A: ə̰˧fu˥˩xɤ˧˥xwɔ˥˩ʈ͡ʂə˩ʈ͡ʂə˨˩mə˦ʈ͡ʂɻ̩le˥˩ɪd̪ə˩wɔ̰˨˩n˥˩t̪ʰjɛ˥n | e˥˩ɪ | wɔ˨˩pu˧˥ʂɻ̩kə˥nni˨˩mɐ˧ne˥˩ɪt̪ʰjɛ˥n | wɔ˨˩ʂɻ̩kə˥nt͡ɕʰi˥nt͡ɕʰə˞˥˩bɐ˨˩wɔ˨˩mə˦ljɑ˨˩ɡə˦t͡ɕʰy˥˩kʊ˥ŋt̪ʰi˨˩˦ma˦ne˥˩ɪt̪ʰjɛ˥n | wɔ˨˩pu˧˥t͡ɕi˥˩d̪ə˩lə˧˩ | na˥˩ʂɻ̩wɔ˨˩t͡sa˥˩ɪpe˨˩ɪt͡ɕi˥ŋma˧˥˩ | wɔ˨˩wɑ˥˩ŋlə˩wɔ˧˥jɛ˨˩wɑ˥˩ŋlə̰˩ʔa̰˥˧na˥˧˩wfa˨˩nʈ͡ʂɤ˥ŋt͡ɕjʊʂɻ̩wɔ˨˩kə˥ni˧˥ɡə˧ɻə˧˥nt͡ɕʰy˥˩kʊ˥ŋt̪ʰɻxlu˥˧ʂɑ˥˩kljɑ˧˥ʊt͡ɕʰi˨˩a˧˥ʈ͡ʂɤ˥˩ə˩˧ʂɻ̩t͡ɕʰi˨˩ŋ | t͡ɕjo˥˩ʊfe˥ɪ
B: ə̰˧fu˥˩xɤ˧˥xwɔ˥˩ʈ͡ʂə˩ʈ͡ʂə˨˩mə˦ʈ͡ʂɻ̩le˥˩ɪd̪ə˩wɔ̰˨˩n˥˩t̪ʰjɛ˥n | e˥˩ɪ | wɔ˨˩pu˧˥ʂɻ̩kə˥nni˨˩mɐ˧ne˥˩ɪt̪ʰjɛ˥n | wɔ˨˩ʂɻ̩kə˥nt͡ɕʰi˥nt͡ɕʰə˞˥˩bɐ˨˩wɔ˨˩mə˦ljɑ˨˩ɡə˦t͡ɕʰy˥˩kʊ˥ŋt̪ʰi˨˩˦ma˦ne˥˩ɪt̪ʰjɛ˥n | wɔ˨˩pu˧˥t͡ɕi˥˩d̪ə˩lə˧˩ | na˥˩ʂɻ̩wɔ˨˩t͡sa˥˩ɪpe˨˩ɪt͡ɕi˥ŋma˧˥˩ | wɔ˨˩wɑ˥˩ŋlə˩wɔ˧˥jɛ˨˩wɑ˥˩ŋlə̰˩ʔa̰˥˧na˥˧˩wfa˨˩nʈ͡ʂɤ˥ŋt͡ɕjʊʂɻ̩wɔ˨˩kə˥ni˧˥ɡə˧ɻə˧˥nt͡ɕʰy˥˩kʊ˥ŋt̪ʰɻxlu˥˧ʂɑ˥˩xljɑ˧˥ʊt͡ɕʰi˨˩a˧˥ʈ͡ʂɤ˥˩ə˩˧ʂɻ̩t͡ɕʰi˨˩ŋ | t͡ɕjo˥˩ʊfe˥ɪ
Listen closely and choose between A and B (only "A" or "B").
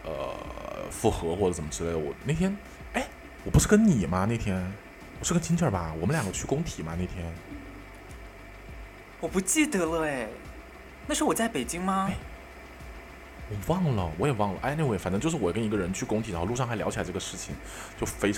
B